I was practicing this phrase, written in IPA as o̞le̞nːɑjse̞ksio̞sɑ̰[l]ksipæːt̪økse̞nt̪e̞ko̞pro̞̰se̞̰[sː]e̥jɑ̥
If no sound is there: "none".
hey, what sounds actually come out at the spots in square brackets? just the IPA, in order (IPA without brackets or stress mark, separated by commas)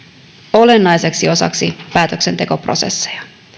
none, sː